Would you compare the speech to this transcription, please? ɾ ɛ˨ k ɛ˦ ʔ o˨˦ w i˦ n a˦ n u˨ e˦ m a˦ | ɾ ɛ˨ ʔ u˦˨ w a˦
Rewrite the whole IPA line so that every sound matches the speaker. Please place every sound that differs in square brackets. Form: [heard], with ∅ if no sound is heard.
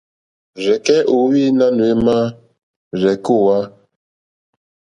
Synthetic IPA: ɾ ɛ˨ k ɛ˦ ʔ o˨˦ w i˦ n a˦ n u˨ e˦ m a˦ | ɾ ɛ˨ [k] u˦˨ w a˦

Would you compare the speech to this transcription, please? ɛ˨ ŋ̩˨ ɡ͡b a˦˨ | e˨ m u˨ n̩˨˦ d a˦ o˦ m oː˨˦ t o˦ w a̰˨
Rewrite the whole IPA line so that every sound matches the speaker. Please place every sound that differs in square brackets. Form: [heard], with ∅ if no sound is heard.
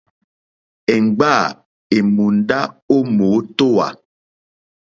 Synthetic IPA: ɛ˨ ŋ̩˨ ɡ͡b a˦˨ | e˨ m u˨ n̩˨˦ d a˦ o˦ m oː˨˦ t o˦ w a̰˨

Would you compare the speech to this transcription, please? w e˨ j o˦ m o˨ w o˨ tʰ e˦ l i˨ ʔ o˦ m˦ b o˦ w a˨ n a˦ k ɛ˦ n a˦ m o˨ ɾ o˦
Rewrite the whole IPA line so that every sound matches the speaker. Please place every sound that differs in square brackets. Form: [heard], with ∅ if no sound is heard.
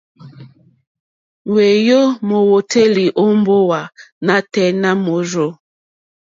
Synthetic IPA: w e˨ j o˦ m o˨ w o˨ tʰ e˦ l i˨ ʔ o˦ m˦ b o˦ w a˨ n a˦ [t] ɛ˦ n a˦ m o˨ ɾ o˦

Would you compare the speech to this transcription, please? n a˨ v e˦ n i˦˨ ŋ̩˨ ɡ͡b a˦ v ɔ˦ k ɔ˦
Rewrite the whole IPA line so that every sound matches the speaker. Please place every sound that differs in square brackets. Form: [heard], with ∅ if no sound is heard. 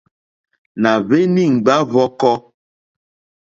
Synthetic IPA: n a˨ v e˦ n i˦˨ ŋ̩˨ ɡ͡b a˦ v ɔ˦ k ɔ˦

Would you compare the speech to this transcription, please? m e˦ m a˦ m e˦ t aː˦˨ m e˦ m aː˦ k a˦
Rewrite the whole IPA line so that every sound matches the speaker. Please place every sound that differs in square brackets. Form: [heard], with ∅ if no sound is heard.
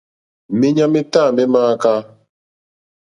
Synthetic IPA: m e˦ [ɲ] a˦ m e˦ t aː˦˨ m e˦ m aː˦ k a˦

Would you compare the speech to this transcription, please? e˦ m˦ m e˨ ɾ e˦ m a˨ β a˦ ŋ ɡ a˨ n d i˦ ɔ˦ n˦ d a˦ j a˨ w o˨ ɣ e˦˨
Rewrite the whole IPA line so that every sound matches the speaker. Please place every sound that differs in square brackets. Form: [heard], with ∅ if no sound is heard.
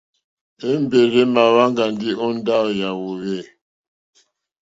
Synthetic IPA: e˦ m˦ [b] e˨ ɾ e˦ m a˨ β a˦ ŋ ɡ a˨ n d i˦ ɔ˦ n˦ d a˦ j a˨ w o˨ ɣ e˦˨

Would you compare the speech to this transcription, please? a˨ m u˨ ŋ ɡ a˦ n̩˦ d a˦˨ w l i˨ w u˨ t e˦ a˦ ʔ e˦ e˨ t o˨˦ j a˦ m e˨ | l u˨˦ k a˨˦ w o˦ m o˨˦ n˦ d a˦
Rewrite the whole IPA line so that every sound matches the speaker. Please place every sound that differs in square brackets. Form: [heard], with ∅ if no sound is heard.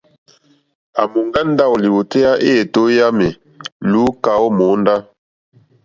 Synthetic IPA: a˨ m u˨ ŋ ɡ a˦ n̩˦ d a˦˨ w l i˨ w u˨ t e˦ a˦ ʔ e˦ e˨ t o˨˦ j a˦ m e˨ | l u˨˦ k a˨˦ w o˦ m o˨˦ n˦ d a˦

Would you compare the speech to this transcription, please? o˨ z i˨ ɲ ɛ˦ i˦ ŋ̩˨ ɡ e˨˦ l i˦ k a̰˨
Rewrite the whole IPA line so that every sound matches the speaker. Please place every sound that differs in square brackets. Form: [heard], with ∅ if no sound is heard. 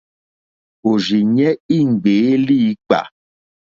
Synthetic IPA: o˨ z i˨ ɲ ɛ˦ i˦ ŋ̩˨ [ɡ͡b] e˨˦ l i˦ [k͡p] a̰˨

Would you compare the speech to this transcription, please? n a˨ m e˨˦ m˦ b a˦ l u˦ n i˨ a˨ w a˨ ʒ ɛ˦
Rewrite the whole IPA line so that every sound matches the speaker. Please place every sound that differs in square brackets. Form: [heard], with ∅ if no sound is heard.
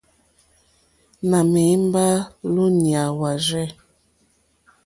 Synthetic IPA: n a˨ m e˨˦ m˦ b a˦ l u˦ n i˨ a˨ w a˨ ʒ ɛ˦

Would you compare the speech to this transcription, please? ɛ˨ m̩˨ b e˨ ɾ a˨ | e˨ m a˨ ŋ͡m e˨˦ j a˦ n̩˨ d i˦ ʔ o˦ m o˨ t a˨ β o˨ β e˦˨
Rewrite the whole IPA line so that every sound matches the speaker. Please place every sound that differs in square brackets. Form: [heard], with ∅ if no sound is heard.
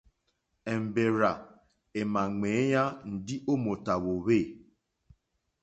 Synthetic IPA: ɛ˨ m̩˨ b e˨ ɾ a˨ | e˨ m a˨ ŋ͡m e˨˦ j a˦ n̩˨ d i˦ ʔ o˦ m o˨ t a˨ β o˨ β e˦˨

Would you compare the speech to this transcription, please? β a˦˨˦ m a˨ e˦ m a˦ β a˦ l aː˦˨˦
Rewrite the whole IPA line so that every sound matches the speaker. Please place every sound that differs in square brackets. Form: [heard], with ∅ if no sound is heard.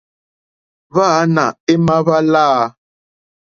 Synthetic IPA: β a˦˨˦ [n] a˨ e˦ m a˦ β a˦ l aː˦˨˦

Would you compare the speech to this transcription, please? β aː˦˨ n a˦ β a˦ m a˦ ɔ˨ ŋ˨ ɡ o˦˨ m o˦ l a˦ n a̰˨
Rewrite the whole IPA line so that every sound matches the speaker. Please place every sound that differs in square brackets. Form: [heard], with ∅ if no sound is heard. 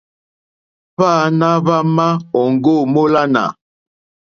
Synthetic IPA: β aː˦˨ n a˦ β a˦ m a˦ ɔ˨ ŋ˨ ɡ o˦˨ m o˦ l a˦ n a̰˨

